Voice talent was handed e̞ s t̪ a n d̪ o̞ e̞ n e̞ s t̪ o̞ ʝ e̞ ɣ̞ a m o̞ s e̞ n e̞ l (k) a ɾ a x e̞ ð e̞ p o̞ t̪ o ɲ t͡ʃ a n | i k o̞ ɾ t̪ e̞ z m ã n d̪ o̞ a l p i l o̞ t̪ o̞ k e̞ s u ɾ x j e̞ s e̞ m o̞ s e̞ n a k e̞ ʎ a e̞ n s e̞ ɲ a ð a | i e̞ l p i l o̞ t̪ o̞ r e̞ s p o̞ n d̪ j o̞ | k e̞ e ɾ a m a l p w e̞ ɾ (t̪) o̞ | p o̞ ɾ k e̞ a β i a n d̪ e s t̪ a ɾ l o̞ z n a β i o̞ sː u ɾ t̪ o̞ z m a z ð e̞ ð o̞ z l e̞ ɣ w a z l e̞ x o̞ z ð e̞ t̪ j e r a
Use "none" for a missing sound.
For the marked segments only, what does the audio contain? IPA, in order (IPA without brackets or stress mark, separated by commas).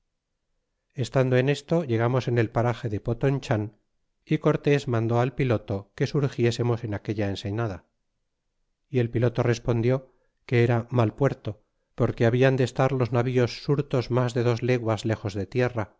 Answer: p, t̪